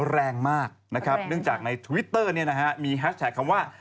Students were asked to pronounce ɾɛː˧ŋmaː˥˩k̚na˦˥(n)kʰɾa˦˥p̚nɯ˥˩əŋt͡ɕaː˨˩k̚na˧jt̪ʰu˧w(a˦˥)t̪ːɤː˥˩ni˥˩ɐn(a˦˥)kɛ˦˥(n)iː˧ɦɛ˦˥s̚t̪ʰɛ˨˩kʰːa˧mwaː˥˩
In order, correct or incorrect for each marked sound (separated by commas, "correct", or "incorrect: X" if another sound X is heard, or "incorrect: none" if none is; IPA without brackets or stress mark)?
incorrect: none, incorrect: i˦˥, correct, incorrect: m